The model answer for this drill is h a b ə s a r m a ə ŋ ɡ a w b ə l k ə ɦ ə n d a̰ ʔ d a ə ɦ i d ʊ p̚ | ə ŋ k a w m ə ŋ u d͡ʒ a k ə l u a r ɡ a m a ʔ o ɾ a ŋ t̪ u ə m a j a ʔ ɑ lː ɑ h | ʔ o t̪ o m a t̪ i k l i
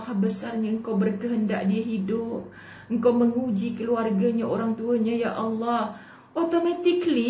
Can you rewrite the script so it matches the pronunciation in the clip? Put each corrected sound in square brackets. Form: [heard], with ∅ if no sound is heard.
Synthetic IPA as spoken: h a b ə s a r [ɲ] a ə ŋ [k] a w b ə [r] k ə ɦ ə n d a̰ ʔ d [i] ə ɦ i d ʊ p̚ | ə ŋ k a w m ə ŋ u d͡ʒ [i] k ə l u a r ɡ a [ɲ] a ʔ o ɾ a ŋ t̪ u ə [ɲ] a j a ʔ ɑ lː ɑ h | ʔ o t̪ o m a t̪ i k l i